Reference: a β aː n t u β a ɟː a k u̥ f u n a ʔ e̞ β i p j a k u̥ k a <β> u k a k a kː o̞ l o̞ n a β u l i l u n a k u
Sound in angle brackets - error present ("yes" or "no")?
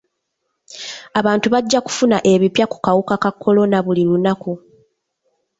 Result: yes